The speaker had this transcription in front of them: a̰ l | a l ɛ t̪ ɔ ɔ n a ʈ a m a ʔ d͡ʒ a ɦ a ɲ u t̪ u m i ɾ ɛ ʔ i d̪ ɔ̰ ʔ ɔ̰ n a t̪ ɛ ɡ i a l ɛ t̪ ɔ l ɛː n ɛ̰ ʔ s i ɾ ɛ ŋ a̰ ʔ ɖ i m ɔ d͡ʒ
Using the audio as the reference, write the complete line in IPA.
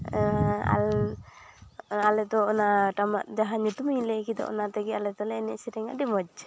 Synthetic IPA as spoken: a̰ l | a l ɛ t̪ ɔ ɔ n a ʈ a m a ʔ d͡ʒ a ɦ a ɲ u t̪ u m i l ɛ k i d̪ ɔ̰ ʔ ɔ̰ n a t̪ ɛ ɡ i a l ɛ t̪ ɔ l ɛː n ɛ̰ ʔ s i ɾ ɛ ŋ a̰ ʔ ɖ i m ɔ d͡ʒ